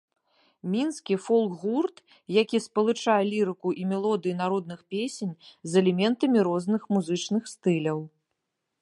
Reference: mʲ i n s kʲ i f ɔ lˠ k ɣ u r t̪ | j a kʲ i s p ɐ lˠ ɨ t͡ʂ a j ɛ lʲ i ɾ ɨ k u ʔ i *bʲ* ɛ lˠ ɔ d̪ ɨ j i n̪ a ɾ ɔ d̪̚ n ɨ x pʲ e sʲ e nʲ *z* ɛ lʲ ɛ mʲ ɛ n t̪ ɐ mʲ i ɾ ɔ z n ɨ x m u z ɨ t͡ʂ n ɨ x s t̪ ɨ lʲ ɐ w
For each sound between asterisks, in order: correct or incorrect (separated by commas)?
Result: incorrect, correct